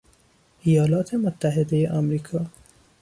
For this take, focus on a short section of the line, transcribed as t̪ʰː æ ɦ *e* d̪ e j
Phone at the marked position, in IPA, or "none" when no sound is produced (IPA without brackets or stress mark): e